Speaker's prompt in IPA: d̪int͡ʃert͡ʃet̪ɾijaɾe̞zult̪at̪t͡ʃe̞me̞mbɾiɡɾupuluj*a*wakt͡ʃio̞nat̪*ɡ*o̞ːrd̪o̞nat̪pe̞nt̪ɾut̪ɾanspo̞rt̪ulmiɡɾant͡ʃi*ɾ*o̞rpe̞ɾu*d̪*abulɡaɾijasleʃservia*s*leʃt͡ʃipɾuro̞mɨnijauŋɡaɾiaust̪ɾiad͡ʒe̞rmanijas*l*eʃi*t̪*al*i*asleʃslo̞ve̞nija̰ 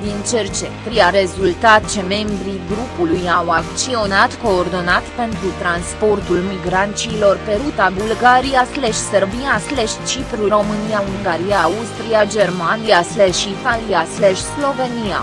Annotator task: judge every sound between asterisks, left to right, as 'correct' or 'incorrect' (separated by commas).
correct, incorrect, incorrect, incorrect, correct, correct, correct, correct